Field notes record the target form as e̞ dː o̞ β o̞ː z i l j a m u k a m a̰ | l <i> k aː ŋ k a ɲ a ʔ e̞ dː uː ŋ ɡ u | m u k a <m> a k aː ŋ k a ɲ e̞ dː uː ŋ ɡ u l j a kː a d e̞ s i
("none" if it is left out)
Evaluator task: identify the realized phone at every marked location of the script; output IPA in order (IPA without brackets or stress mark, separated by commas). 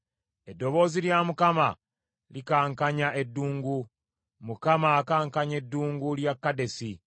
i, m